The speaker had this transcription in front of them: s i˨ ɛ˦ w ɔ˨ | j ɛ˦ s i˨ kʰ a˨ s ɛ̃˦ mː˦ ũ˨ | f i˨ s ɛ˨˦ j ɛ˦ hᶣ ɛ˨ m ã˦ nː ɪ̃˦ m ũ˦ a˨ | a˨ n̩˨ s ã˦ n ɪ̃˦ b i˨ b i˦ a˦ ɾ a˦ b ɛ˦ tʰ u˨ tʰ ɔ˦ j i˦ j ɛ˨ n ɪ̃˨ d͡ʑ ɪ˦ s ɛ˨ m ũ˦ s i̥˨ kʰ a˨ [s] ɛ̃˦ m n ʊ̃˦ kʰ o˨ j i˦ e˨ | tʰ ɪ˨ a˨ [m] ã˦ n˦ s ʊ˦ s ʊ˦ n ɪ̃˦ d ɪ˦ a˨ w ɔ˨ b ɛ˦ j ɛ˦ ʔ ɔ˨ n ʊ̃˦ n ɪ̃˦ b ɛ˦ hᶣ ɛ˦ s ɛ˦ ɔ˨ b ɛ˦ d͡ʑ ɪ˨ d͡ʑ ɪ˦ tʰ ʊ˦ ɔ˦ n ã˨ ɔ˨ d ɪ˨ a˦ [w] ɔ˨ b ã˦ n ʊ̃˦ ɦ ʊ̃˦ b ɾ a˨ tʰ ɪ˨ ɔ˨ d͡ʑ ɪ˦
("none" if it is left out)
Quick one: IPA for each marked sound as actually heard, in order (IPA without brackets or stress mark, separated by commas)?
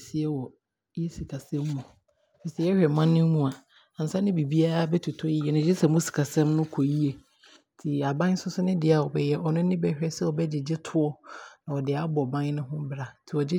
s, b, b